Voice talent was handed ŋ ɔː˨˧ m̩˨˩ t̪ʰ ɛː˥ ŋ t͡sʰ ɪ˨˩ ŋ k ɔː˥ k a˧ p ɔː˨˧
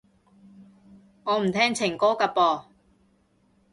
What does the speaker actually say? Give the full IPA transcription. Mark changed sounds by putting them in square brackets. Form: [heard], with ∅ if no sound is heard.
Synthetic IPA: ŋ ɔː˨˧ m̩˨˩ t̪ʰ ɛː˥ ŋ t͡sʰ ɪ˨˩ ŋ k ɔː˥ k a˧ p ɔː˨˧